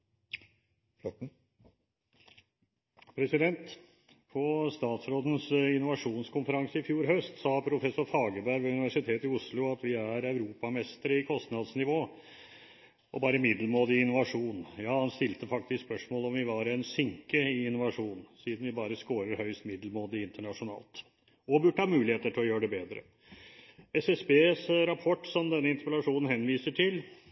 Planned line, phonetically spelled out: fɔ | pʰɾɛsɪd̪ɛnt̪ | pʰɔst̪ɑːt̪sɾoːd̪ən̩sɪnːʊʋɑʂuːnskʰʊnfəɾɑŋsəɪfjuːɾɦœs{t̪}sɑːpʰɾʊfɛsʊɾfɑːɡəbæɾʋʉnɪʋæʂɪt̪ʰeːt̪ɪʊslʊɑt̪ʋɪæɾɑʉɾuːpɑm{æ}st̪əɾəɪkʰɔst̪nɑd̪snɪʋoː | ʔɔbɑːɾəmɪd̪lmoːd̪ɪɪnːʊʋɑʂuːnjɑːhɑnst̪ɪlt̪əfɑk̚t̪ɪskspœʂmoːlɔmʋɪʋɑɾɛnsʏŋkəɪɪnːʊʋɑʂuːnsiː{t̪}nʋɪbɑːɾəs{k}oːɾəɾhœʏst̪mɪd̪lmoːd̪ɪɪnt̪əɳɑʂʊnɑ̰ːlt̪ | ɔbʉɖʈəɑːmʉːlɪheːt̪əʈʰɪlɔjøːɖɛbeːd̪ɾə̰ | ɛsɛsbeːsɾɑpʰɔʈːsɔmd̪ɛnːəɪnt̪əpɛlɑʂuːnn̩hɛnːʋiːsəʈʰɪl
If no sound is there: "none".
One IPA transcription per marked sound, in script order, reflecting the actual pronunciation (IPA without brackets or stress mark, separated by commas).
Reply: t̪, ɛ, d̪, k